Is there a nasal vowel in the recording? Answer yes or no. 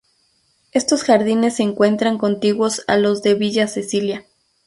no